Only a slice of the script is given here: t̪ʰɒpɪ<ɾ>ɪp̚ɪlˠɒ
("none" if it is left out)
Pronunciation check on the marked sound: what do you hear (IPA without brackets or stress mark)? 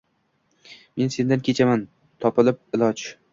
l